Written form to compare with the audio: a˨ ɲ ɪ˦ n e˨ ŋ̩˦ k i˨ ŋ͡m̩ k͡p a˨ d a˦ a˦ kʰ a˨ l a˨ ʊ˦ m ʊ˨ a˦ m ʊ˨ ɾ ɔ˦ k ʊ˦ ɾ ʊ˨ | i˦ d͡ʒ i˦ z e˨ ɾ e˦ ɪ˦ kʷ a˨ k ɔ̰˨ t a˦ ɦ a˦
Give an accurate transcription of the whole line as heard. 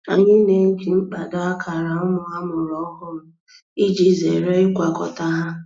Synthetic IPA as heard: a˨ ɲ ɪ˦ n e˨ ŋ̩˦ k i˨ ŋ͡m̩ k͡p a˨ d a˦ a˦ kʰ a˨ ɾ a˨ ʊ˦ m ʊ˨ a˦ m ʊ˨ ɾ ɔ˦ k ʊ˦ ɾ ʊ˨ | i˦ d͡ʒ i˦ z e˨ ɾ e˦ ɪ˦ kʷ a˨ k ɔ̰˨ t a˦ ɦ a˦